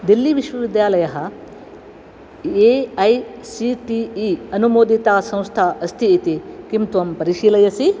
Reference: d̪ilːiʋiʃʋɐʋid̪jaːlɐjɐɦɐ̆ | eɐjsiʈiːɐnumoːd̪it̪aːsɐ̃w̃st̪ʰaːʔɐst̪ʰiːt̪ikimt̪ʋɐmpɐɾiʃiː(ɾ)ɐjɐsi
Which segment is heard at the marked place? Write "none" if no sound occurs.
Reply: l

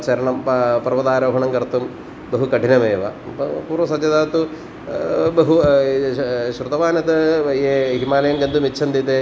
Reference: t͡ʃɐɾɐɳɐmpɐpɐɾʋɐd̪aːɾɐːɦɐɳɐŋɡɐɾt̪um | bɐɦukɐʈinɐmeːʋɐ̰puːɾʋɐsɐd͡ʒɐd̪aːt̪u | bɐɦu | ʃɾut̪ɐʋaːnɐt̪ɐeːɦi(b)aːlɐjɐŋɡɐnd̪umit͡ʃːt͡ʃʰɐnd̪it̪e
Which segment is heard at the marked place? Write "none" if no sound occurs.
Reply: m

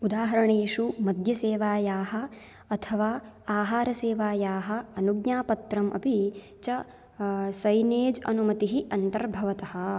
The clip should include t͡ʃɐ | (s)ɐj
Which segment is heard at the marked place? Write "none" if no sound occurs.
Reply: s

